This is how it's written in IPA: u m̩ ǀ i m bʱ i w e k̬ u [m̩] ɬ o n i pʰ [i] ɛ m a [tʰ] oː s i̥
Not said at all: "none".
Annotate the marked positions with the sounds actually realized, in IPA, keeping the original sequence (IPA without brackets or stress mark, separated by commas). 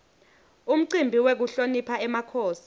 none, a, kʰ